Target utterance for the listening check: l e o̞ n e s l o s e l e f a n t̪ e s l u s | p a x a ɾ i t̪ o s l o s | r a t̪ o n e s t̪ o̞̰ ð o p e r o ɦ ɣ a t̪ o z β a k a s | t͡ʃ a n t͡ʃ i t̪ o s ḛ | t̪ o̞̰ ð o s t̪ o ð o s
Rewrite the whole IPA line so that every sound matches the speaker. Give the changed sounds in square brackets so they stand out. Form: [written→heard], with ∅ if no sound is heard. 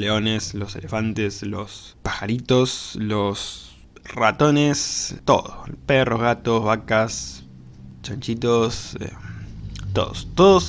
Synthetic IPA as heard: l e o̞ n e s l o s e l e f a n t̪ e s l [u→o] s | p a x a ɾ i t̪ o s l o s | r a t̪ o n e s t̪ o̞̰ ð o p e r o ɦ ɣ a t̪ o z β a k a s | t͡ʃ a n t͡ʃ i t̪ o s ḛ | t̪ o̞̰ ð o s t̪ o ð o s